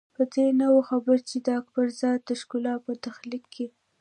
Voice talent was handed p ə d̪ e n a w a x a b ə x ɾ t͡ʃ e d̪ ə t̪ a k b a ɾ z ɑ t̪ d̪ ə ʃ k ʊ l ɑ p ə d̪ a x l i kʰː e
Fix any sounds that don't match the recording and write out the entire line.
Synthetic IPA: p ə d̪ e n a w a x a b ə ɾ t͡ʃ e d̪ ə a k b a ɾ z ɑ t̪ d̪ ə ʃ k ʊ l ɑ p ə t̪ a x l i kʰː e